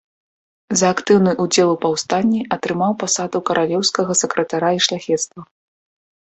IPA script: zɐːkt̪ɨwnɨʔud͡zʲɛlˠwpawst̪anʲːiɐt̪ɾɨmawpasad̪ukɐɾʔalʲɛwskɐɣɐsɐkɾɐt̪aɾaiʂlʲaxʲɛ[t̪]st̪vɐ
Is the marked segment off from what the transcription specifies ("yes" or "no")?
no